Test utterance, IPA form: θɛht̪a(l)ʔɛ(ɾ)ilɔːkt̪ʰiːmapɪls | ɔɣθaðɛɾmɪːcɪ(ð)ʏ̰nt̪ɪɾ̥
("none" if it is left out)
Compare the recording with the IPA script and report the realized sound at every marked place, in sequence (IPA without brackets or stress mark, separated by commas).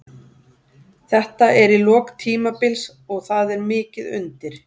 none, ɾ, ð